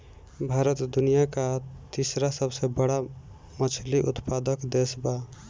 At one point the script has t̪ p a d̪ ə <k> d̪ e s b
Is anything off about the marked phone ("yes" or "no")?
no